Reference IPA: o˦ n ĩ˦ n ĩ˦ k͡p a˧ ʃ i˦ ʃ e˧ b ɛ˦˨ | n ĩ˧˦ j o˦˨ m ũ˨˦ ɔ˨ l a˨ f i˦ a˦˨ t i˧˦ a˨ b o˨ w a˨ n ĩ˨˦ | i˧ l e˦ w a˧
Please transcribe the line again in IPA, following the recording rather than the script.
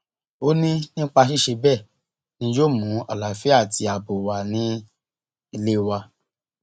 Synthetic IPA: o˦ n ĩ˦ n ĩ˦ k͡p a˧ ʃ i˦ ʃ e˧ b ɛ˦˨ | n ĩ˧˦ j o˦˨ m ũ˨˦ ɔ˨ l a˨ f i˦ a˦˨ t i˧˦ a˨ b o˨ w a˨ n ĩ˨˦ | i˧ l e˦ w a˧